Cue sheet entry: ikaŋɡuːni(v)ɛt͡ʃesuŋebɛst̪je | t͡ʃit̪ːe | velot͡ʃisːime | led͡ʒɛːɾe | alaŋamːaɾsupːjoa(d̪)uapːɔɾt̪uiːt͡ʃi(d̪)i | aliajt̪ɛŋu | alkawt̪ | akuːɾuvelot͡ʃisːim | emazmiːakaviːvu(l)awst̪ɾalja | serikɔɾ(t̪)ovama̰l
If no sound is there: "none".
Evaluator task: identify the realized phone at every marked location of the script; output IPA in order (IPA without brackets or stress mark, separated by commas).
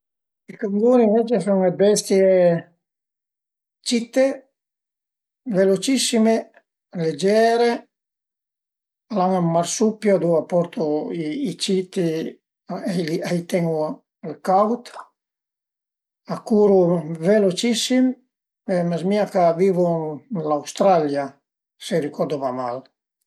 v, d̪, t̪, l, d̪